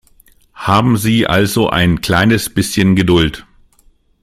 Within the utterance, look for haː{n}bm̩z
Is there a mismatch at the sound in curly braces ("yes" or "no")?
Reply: yes